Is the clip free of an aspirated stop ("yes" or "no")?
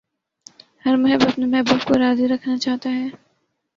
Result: no